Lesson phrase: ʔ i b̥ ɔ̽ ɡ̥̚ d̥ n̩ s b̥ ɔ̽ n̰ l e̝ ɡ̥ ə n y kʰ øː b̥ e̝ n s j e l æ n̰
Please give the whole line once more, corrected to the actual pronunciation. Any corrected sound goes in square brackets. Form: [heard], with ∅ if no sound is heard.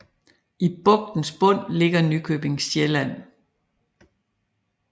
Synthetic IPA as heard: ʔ i b̥ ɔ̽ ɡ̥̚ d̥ n̩ s b̥ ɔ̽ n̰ l e̝ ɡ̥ [ɐ] n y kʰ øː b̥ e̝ [ŋ] s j e l æ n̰